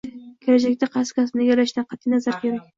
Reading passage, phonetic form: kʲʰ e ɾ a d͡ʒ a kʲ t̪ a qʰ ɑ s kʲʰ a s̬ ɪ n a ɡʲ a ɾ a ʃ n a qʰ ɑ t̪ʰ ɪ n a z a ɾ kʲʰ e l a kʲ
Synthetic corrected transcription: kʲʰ e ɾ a d͡ʒ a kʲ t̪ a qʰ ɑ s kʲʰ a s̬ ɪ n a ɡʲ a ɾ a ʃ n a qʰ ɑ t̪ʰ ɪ n a z a ɾ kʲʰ e ɾ a kʲ